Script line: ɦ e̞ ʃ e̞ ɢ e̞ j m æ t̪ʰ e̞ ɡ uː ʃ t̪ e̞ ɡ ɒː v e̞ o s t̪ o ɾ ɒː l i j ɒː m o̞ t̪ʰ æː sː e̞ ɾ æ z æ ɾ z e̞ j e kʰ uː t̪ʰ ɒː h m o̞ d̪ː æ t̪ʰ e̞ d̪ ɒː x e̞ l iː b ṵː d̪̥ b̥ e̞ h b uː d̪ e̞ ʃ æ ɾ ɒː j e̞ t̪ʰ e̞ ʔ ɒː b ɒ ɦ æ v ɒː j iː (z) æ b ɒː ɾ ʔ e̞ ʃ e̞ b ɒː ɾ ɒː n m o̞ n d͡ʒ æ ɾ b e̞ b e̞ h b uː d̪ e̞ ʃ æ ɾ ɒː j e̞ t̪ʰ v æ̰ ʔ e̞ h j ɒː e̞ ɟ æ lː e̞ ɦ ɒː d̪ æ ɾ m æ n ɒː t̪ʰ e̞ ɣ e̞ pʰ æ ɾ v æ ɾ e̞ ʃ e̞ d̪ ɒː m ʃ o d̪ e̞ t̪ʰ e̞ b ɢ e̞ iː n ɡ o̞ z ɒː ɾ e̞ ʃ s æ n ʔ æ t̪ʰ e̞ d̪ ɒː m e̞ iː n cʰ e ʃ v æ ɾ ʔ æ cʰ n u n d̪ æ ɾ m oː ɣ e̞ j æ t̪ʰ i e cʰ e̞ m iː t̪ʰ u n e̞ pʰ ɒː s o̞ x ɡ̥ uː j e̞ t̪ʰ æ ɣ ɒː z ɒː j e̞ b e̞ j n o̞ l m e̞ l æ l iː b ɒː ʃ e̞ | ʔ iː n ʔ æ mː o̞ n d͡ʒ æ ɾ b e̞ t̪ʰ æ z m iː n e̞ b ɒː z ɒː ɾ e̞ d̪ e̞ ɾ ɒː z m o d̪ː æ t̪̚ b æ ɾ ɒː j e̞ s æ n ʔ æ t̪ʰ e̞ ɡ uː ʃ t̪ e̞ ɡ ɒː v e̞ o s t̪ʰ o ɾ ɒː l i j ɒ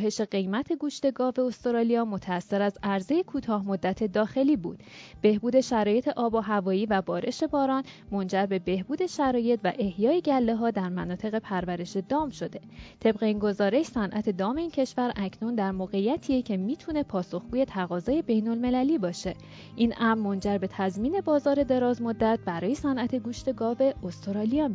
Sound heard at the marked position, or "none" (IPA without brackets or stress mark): v